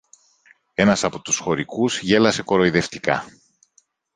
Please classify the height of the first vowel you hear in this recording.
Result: mid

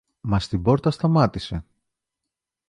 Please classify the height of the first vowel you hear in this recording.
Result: low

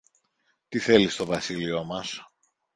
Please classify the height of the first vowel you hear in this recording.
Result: high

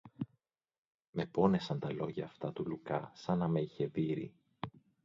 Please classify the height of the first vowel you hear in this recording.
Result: mid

